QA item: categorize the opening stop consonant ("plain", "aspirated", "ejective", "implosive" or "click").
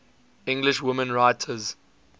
plain